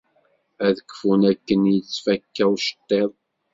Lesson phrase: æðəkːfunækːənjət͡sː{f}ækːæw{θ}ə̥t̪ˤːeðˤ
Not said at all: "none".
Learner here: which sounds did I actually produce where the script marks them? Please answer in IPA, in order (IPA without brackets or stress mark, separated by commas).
f, ʃ